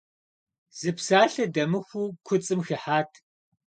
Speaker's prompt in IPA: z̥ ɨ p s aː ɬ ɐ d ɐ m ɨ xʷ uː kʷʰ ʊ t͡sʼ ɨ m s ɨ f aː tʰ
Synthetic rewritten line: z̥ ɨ p s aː ɬ ɐ d ɐ m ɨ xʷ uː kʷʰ ʊ t͡sʼ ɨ m x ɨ ħ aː tʰ